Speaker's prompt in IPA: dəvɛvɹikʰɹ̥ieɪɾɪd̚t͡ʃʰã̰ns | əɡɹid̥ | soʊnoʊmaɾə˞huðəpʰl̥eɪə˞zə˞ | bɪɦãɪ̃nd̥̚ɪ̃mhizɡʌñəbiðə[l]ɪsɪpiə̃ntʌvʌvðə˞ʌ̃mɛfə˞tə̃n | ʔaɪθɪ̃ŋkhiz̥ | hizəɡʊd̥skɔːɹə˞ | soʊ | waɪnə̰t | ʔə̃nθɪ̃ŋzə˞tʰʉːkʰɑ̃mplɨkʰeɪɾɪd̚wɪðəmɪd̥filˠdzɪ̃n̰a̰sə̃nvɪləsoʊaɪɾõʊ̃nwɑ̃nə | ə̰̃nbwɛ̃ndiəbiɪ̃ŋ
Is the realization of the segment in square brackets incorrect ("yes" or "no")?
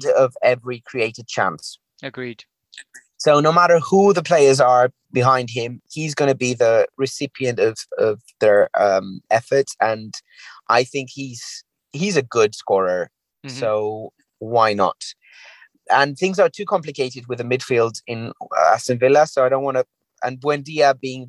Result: yes